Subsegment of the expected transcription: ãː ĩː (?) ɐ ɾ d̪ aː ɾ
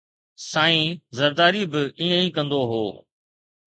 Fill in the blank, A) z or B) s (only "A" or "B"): A